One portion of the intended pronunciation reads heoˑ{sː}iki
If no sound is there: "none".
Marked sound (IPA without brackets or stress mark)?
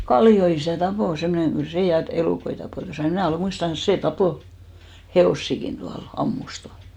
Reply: sː